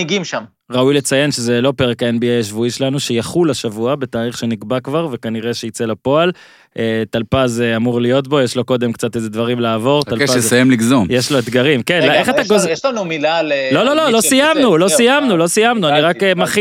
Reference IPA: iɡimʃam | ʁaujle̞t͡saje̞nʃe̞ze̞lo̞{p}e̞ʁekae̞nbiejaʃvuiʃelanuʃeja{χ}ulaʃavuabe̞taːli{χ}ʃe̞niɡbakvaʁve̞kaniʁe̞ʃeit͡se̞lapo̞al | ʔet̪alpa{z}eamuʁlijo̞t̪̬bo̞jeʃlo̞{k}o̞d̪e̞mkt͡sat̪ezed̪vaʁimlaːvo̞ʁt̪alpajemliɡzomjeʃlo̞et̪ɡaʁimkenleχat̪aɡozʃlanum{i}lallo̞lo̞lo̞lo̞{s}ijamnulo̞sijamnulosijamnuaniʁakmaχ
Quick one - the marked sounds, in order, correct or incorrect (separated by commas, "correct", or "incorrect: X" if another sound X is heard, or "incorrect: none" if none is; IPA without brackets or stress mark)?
correct, correct, correct, correct, correct, correct, correct